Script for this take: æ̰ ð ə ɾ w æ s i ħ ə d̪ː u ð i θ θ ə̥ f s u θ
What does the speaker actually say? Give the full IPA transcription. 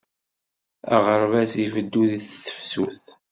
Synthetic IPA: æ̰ ʁ ə ɾ v æ s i f ə d̪ː u ð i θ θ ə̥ f s u θ